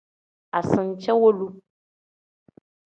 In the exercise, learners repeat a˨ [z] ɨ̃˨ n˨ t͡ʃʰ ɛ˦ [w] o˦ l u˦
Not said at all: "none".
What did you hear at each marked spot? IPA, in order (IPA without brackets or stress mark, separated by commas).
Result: s, w